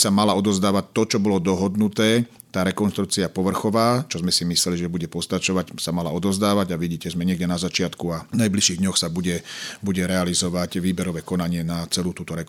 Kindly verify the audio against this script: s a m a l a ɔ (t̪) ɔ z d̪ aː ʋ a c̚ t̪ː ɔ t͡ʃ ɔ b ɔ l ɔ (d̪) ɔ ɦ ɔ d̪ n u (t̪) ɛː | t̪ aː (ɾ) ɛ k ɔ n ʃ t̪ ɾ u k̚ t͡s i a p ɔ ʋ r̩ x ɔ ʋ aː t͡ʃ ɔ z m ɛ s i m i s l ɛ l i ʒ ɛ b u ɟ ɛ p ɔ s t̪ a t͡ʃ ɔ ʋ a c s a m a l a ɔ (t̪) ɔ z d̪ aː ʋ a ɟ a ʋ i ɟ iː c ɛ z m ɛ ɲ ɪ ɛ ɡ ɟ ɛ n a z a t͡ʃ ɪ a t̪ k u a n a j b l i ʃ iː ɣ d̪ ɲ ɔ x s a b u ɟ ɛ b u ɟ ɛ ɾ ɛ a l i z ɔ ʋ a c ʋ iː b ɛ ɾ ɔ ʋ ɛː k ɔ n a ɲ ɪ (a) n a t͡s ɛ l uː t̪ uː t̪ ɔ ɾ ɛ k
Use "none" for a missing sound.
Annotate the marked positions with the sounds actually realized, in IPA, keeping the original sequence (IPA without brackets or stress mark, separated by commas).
d̪, d̪, t̪, ɾ, d̪, ɛ